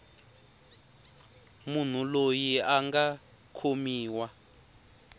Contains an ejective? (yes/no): no